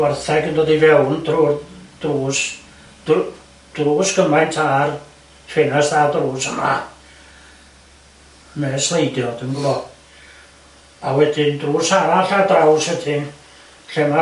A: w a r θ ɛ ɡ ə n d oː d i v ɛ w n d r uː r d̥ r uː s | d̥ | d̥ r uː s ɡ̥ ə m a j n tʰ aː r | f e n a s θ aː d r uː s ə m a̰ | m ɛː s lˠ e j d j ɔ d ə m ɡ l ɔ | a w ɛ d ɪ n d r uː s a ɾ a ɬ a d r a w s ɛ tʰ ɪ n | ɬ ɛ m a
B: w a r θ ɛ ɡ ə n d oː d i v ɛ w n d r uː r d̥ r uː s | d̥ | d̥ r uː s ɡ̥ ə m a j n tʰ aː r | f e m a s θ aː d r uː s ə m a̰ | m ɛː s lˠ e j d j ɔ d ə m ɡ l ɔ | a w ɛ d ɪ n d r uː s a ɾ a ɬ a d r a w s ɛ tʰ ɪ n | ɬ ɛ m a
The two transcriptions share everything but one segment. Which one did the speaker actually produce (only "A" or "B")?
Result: A